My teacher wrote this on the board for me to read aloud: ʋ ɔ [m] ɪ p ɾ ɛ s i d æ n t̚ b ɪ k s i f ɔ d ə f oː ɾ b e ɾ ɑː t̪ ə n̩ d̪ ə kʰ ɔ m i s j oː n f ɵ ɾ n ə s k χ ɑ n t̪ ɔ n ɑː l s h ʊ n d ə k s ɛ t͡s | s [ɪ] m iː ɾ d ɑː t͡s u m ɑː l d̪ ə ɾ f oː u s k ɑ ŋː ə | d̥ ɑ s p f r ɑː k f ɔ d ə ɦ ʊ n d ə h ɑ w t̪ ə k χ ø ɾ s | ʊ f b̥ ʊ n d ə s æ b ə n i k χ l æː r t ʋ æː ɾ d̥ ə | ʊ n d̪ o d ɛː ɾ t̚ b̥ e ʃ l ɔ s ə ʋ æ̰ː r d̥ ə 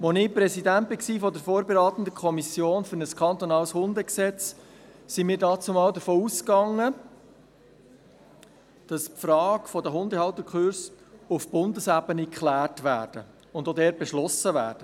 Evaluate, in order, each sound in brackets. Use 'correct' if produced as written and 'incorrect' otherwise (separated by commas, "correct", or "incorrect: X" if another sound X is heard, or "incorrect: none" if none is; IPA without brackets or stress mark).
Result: incorrect: n, incorrect: i